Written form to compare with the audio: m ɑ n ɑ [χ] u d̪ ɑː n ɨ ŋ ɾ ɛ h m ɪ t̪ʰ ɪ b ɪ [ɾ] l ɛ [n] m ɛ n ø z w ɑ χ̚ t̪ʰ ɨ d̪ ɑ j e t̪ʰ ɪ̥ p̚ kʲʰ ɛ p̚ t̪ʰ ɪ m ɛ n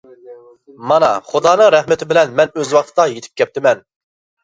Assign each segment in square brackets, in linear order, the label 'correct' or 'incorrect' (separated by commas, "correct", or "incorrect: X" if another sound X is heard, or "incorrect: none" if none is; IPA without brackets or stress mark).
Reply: correct, incorrect: none, correct